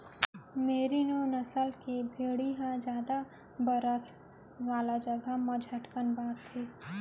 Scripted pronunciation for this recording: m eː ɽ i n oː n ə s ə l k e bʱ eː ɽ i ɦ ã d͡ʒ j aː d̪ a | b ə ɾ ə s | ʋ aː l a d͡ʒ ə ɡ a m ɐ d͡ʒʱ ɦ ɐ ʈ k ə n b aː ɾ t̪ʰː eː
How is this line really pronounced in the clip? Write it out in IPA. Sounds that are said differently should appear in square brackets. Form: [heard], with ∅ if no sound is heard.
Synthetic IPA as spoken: m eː [ɾ] i n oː n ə s ə l k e bʱ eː ɽ i ɦ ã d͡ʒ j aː d̪ a | b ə ɾ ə s | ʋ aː l a d͡ʒ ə ɡ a m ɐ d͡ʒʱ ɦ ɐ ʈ k ə n b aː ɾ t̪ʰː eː